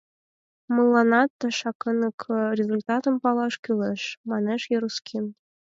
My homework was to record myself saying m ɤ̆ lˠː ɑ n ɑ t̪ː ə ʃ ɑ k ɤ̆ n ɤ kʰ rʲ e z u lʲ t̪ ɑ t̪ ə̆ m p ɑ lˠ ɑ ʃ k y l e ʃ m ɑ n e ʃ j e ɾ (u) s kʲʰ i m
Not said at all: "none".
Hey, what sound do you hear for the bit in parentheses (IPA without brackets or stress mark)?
u